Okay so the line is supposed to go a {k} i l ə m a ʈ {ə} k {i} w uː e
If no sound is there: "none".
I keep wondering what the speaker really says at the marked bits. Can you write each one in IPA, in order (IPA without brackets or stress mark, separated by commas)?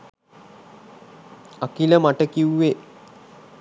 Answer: k, ə, i